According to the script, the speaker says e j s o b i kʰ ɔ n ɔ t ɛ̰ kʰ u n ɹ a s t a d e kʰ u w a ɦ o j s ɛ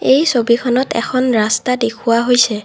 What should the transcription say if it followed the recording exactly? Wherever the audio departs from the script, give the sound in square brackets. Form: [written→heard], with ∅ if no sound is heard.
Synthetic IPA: e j s o b i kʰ ɔ n ɔ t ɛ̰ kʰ [u→ɔ] n ɹ a s t a d e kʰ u w a ɦ o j s ɛ